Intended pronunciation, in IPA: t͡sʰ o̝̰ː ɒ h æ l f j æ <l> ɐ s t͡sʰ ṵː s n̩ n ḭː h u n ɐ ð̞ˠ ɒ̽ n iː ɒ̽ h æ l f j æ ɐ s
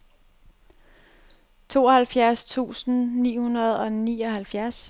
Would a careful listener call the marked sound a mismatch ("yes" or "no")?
yes